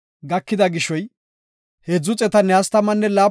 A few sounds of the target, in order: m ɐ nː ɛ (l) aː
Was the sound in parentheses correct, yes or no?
yes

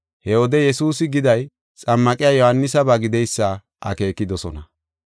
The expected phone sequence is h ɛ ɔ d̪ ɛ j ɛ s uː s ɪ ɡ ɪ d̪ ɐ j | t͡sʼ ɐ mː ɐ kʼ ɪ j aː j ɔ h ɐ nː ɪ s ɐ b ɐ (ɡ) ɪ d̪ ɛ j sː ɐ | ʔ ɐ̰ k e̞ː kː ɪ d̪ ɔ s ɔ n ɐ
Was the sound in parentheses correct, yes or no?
yes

